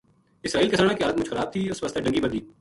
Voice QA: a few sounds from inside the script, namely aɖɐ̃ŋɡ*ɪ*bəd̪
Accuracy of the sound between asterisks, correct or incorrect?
incorrect